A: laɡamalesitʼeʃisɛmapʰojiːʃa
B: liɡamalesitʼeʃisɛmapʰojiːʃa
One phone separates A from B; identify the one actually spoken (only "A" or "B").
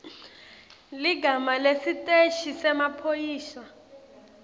B